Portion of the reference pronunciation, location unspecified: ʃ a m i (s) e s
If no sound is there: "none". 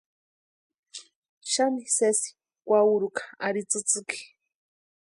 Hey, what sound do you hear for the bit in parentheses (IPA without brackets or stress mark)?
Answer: s